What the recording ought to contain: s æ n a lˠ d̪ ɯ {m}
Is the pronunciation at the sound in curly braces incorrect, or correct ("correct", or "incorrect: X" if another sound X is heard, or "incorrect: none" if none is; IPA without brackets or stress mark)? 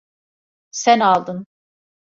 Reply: incorrect: n